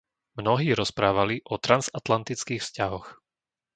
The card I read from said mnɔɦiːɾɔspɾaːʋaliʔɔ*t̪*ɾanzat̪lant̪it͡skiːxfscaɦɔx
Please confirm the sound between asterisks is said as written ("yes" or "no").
yes